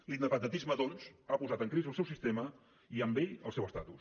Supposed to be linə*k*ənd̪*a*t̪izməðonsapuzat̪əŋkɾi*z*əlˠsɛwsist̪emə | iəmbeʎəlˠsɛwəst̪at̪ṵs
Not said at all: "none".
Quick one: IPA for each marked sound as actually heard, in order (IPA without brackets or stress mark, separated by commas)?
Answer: p, ə, z